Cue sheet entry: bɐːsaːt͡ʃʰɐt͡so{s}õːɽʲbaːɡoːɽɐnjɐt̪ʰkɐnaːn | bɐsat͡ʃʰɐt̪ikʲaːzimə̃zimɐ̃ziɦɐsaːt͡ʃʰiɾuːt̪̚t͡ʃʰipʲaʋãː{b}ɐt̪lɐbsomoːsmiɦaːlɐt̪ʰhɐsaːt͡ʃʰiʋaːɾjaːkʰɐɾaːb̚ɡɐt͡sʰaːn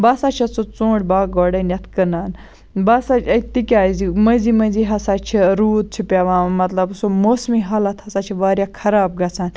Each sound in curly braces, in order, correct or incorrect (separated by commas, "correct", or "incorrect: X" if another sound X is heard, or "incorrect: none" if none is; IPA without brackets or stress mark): incorrect: t͡s, incorrect: m